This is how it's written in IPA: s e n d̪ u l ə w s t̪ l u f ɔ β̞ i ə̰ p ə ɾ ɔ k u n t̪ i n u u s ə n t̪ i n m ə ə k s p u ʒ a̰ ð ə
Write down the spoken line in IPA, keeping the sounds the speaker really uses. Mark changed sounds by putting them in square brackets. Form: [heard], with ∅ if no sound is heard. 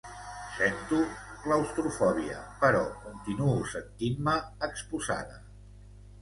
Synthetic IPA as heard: s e n [t̪] u l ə w s t̪ [ɾ] u f ɔ β̞ i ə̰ p ə ɾ ɔ k u n t̪ i n u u s ə n t̪ i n m ə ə k s p u [z] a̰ ð ə